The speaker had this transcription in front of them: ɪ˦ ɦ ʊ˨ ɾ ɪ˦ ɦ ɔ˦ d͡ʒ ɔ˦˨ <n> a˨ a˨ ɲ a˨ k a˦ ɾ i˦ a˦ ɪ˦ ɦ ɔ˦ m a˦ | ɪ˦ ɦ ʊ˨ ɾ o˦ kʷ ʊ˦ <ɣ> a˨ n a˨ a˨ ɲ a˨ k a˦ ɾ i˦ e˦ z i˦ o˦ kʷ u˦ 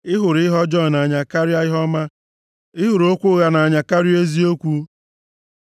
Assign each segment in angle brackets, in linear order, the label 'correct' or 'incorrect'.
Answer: correct, correct

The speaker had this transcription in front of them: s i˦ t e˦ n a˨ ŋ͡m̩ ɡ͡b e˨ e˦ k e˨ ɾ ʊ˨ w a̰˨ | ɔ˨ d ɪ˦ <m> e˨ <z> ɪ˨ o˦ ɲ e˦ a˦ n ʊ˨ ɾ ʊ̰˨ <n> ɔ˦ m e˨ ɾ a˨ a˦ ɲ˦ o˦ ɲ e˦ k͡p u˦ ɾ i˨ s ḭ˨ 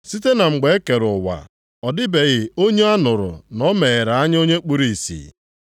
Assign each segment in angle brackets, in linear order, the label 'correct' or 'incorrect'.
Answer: incorrect: b, incorrect: ɣ, correct

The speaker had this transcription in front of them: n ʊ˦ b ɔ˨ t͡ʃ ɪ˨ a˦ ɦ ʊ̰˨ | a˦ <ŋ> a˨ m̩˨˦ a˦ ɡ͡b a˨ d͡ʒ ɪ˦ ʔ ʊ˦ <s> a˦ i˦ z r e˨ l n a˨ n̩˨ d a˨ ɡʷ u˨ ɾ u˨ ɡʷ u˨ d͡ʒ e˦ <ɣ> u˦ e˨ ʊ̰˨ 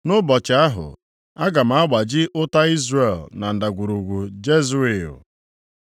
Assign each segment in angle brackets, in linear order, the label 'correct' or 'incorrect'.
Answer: incorrect: ɡ, incorrect: t, incorrect: z

